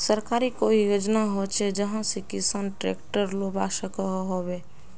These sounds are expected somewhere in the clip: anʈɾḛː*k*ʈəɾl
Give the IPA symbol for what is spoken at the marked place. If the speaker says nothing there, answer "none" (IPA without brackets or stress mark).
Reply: k